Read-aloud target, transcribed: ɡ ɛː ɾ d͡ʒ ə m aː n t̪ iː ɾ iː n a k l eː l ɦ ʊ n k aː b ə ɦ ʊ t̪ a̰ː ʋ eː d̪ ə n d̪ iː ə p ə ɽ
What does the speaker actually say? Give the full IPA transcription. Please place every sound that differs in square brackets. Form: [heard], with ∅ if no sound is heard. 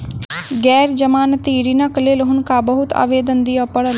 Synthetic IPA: ɡ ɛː ɾ d͡ʒ ə m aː n t̪ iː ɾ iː n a k l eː l ɦ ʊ n k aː b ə ɦ ʊ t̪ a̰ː ʋ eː d̪ ə n d̪ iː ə p ə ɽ